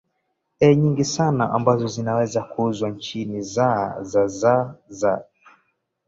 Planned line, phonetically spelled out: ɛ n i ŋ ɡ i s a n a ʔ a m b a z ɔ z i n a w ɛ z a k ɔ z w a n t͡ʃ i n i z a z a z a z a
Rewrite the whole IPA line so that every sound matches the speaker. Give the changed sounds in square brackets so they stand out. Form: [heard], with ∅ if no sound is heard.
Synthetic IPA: ɛ [ɲ] i ŋ ɡ i s a n a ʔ a m b a z ɔ z i n a w ɛ z a k [u] z w a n t͡ʃ i n i z a z a z a z a